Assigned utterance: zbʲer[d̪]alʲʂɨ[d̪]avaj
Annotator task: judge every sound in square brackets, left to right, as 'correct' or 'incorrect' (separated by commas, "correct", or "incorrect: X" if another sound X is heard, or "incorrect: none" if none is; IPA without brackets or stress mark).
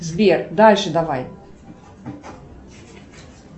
correct, correct